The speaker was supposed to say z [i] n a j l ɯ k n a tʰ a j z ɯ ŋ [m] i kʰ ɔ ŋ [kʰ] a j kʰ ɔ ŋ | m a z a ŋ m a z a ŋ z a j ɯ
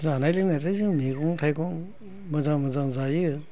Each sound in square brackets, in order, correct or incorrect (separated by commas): incorrect, correct, incorrect